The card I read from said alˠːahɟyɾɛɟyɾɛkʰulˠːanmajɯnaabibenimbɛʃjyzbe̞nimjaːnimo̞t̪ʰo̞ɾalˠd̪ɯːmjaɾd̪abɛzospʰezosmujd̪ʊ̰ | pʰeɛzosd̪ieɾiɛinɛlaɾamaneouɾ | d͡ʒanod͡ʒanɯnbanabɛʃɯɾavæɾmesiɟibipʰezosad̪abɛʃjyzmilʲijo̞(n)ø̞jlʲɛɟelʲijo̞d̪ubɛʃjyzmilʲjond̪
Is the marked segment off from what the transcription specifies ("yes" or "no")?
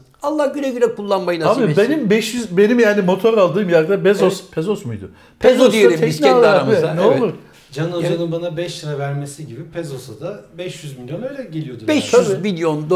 no